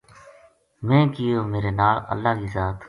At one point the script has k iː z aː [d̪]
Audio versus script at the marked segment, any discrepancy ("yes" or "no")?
yes